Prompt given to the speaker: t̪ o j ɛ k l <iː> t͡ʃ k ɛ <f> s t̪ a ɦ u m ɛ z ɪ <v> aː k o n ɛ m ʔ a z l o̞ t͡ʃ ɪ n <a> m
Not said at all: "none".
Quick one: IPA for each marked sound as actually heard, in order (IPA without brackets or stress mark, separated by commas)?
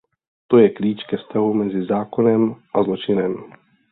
iː, f, z, ɛ